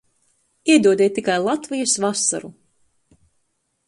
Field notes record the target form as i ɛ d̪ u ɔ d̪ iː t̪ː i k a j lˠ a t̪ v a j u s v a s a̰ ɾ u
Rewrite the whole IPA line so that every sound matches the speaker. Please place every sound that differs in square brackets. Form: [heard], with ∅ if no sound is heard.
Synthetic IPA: i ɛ d̪ u ɔ d̪ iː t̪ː i k a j lˠ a t̪ v [i] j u s v a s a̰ ɾ u